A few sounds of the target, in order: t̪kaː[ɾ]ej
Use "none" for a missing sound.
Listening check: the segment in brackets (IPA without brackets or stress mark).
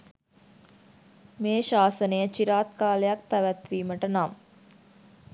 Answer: l